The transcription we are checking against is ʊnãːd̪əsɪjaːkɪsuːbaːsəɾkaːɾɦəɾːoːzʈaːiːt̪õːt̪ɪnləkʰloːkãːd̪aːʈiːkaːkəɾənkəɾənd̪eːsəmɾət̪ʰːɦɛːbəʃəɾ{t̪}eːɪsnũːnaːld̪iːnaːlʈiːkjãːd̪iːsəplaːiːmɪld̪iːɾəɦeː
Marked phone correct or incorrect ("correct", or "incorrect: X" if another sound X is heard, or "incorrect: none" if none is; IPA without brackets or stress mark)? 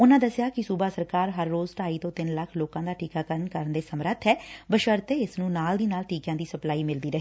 correct